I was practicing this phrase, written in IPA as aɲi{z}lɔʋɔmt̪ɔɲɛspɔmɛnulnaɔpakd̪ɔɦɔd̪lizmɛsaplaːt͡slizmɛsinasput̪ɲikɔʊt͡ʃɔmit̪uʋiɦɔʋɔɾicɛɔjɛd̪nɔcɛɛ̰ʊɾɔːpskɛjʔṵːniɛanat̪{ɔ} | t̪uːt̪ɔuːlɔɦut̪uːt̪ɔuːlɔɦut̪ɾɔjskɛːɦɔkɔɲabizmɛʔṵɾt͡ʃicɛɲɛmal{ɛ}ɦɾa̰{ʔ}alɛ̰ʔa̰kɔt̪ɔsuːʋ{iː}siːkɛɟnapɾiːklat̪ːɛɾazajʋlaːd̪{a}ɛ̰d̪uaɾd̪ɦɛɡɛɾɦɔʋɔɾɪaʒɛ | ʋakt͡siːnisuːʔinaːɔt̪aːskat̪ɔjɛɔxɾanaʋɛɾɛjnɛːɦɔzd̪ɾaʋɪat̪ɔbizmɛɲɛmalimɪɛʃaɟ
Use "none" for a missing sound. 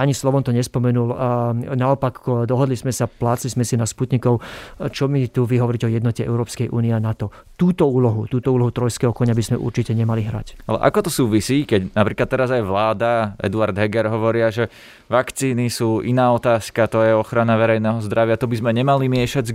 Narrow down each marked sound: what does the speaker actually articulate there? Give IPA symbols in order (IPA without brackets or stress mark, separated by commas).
s, ɔ, i, c, i, a